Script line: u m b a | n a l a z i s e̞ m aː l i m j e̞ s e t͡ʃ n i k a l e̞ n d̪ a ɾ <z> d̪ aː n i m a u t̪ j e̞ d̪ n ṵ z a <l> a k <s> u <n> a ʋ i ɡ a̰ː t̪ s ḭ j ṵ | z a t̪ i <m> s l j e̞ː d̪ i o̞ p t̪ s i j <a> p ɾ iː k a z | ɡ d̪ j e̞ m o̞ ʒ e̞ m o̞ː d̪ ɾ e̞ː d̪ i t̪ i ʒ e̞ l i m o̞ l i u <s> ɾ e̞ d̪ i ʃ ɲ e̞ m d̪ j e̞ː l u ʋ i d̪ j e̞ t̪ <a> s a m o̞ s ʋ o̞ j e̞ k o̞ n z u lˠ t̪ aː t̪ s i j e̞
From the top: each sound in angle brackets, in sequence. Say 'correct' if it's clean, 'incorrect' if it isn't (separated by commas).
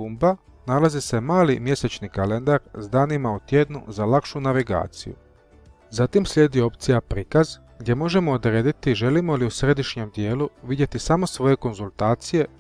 correct, correct, incorrect, correct, correct, correct, correct, incorrect